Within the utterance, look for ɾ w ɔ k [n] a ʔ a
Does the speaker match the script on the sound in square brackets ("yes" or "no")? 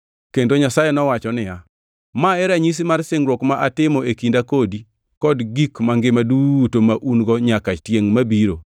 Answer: no